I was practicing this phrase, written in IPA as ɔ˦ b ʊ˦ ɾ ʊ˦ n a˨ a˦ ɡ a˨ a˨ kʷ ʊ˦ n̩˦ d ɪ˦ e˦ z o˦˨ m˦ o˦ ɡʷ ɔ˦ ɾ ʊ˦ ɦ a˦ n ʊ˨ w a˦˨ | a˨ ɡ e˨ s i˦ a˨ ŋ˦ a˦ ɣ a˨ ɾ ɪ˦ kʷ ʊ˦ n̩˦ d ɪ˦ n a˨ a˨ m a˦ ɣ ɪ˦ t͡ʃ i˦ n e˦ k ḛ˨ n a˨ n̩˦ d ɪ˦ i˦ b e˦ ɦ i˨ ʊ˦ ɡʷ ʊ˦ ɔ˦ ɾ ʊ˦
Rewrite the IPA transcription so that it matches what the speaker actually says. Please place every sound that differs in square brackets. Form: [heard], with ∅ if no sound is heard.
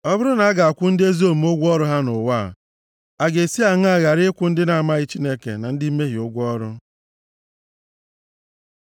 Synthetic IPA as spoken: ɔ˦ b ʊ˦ ɾ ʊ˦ n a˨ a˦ ɡ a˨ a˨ kʷ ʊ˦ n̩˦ d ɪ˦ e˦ z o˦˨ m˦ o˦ ɡʷ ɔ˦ ɾ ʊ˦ ɦ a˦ n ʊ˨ w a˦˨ | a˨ ɡ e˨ s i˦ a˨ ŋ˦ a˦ ɣ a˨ ɾ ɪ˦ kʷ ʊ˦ n̩˦ d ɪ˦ n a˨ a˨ m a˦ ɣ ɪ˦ t͡ʃ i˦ n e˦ k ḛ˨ n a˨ n̩˦ d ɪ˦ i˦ [m] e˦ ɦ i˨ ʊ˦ ɡʷ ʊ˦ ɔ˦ ɾ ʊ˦